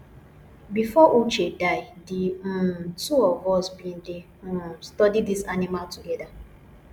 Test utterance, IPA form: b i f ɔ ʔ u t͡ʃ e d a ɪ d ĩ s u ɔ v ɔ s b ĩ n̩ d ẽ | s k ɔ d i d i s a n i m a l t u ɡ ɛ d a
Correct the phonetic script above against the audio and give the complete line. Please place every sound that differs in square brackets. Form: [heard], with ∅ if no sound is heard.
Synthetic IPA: b i f ɔ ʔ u t͡ʃ e d a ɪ d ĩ [t] u ɔ v ɔ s b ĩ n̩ d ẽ | s [t] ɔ d i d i s a n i m a l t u ɡ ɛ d a